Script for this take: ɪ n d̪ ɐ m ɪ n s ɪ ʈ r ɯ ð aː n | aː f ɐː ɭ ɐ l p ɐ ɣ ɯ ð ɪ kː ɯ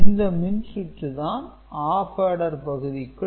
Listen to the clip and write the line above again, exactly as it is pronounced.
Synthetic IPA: ɪ n d̪ ɐ m ɪ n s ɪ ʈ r ɯ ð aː n | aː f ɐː ɽ ɐ ɾ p ɐ ɣ ɯ ð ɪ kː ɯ

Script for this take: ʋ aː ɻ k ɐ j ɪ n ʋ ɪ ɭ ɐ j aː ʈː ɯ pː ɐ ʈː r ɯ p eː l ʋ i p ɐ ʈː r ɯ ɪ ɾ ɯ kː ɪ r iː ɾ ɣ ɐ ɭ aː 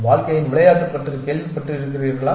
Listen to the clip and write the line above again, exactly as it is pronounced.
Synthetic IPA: ʋ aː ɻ k ɐ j ɪ n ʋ ɪ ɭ ɐ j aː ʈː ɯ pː ɐ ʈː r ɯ k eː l ʋ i p ɐ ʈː r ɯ ɪ ɾ ɯ kː ɪ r iː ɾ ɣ ɐ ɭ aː

